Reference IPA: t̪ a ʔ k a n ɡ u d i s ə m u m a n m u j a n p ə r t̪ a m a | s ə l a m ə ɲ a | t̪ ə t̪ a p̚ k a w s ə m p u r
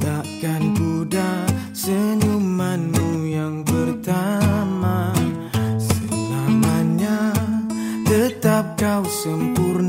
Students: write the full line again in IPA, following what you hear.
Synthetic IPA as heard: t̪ a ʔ k a n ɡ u d a s ə ɲ u m a n m u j a ŋ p ə r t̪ a m a | s ə l a m a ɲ a | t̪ ə t̪ a p̚ k a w s ə m p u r